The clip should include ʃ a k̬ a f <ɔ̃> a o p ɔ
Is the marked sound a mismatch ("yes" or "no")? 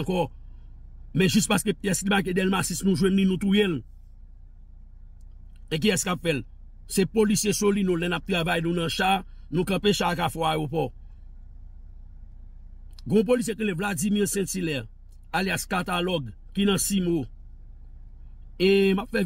yes